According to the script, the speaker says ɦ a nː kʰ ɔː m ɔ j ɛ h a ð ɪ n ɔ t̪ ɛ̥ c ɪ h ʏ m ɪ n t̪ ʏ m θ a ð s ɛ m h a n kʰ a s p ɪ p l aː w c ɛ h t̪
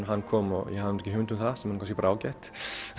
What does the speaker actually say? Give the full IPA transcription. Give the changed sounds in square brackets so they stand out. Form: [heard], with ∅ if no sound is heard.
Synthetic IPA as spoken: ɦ a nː kʰ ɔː m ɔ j ɛ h a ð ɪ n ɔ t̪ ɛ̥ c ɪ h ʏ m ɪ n t̪ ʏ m θ a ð s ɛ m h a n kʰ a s [c] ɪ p [ɾ] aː w c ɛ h t̪